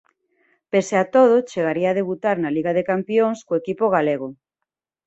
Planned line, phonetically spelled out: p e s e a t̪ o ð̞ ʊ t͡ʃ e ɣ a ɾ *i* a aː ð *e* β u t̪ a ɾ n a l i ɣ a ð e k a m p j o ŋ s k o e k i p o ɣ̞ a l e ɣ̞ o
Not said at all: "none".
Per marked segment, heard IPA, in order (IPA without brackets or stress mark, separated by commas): i, e